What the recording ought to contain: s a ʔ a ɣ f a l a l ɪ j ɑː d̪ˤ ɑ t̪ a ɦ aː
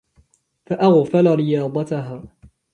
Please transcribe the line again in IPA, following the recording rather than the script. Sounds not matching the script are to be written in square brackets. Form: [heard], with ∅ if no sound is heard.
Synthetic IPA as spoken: [f] a ʔ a ɣ f a l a [ɾ] ɪ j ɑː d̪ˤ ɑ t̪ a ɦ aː